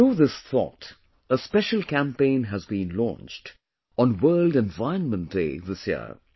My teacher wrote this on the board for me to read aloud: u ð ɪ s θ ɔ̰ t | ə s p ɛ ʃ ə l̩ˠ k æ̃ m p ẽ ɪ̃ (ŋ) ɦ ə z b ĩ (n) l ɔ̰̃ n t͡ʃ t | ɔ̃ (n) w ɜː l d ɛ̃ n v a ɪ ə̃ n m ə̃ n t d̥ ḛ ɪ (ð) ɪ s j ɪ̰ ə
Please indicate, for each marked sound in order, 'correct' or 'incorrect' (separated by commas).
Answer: incorrect, correct, correct, correct